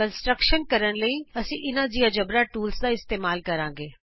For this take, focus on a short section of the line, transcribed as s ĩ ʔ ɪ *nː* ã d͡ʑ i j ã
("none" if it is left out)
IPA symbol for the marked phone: n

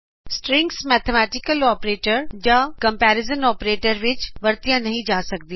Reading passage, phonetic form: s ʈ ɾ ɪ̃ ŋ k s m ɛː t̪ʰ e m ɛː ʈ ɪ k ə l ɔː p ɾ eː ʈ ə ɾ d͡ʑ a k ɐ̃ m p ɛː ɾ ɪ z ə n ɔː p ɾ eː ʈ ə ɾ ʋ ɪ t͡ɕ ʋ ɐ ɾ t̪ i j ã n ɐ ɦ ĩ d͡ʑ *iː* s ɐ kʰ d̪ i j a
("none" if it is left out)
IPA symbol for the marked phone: aː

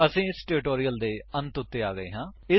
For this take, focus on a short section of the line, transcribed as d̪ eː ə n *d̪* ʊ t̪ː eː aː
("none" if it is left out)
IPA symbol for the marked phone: t̪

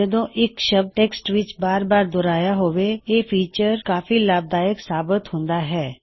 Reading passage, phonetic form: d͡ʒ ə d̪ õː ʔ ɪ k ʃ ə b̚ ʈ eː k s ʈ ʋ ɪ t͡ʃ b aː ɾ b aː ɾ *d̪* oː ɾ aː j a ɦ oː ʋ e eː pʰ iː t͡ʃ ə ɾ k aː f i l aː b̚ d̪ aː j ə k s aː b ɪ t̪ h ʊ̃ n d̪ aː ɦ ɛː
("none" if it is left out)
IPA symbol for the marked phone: d̪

